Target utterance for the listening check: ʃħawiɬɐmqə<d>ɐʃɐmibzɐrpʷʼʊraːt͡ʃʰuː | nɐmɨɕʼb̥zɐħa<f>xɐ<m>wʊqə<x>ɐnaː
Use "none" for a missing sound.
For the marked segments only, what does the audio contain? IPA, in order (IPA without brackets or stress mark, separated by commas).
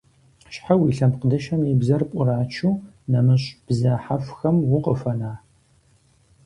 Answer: d, f, m, f